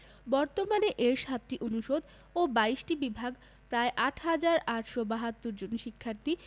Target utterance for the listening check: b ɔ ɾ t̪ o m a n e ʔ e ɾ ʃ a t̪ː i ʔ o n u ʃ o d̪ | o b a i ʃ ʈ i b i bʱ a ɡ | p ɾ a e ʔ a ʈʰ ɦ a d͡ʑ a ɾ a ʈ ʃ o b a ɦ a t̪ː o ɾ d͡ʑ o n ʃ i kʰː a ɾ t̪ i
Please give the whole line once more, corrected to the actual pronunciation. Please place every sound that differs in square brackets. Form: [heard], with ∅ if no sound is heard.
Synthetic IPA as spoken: b ɔ ɾ t̪ o m a n e ʔ e ɾ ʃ a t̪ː i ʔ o n u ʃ o d̪ | o b a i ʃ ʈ i b i bʱ a ɡ | p ɾ a e ʔ a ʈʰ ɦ a d͡ʑ a ɾ a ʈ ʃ o b a ɦ a t̪ː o ɾ d͡ʑ o n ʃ i kʰː a ɾ t̪ i